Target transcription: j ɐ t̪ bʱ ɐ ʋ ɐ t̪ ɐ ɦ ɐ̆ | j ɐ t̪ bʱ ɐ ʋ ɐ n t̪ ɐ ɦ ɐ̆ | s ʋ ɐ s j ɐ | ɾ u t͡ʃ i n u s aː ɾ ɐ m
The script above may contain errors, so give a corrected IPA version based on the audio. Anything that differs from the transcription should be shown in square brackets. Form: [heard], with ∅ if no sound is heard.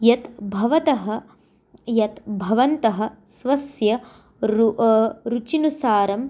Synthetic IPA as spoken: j ɐ t̪ bʱ ɐ ʋ ɐ t̪ ɐ ɦ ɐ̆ | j ɐ t̪ bʱ ɐ ʋ ɐ n t̪ ɐ ɦ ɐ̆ | s ʋ ɐ s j ɐ | ɾ u t͡ʃ i n u s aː ɾ ɐ m